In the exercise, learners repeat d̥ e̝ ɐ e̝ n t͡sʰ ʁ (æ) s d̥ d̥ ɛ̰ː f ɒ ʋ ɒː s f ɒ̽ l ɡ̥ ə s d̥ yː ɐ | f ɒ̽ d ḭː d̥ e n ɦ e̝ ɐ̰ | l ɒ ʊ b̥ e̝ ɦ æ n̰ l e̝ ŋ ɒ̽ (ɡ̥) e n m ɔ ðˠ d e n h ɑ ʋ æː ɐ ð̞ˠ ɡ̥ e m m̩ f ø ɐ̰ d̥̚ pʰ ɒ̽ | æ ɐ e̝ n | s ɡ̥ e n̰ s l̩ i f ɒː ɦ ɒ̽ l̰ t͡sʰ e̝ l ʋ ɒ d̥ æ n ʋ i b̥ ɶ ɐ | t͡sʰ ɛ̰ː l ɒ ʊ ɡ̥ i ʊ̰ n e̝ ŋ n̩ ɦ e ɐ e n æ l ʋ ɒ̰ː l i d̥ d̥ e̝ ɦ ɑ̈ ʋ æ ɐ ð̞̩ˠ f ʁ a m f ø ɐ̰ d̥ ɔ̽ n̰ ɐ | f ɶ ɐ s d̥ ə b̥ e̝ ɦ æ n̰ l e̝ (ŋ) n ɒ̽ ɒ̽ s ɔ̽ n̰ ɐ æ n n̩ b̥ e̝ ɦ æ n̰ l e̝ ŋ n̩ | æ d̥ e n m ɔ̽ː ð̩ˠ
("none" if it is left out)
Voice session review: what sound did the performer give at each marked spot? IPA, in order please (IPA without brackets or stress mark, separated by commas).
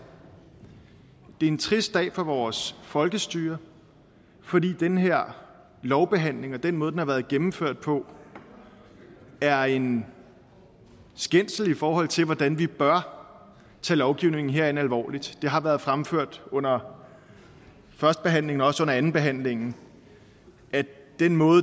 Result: i, d̥, ŋ